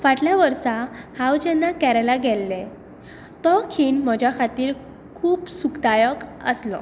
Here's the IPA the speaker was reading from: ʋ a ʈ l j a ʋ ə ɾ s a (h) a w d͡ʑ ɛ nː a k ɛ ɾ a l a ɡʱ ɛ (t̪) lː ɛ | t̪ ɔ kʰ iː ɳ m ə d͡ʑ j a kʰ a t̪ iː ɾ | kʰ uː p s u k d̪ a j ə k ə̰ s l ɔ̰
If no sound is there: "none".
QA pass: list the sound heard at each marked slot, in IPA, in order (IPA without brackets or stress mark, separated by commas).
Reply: h, none